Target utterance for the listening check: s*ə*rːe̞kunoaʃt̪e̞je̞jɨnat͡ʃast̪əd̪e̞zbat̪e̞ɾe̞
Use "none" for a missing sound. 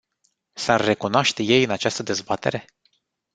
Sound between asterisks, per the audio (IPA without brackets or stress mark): a